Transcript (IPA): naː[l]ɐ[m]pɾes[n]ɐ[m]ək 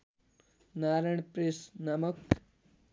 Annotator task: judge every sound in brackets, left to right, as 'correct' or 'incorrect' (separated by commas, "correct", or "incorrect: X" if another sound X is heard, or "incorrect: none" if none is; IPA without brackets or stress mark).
incorrect: ɾ, incorrect: ɳ, correct, correct